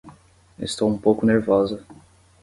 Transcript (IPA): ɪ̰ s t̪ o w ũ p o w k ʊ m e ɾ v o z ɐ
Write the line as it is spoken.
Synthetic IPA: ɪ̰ s t̪ o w ũ p o w k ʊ n e ɾ v ɔ z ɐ